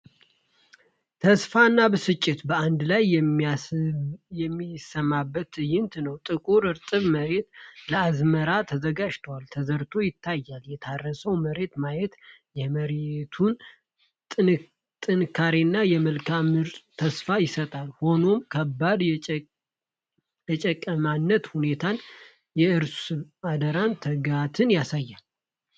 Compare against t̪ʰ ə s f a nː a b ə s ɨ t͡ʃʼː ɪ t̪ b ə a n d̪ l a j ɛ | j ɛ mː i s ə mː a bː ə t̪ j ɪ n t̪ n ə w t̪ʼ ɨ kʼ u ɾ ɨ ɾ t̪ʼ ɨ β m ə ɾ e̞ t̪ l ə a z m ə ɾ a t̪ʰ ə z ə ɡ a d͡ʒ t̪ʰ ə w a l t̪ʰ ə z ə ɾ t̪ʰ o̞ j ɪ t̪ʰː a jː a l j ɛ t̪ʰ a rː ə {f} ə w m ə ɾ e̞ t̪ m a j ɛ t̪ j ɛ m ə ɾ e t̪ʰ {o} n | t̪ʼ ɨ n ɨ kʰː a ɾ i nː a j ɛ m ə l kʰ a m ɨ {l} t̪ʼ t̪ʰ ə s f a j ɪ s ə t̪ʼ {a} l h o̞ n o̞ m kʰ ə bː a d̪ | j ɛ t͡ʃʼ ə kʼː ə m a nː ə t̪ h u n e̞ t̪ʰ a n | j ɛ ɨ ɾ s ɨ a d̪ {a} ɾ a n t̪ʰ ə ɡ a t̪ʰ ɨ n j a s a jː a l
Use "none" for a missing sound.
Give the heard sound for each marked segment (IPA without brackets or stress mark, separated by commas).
s, u, ɾ, a, ə